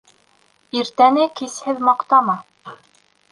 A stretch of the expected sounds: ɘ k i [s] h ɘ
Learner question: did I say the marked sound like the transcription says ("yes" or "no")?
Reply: yes